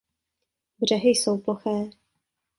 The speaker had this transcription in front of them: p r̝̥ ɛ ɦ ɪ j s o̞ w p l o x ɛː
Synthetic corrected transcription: b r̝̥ ɛ ɦ ɪ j s o̞ w p l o x ɛː